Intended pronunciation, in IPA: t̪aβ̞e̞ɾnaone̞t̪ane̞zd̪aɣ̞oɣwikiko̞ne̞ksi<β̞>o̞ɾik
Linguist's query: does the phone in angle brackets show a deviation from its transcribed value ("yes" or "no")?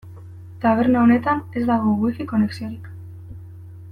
yes